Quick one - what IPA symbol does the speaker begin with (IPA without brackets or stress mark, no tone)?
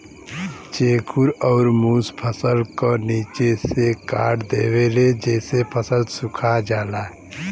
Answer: t͡ʃ